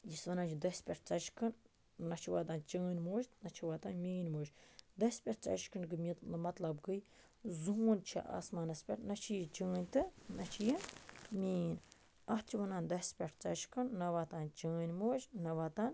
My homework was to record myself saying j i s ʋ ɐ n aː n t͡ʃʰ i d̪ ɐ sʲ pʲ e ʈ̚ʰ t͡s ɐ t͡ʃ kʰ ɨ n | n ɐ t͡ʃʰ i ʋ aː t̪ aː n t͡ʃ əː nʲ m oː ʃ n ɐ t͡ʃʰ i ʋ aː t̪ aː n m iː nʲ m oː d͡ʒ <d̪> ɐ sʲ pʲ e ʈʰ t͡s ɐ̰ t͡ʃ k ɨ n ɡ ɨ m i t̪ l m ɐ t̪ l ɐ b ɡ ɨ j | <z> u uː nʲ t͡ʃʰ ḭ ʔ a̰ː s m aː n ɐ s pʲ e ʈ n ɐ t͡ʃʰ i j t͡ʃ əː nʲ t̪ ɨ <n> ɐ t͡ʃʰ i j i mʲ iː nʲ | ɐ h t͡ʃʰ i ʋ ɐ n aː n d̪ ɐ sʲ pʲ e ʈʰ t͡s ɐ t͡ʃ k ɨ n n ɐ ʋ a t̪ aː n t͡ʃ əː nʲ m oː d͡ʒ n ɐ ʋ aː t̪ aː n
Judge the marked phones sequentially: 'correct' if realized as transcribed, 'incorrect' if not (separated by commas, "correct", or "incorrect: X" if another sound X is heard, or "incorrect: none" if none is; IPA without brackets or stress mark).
correct, correct, correct